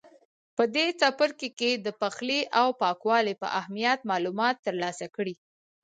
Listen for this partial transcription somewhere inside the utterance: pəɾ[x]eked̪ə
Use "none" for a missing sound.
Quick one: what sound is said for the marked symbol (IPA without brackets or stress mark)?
k